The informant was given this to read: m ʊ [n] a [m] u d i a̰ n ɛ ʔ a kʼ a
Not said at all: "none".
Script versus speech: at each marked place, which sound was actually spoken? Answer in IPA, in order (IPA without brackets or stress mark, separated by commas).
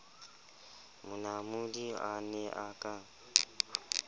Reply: n, m